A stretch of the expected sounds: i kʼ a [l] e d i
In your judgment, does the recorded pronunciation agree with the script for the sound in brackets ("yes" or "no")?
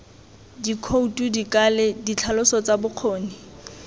yes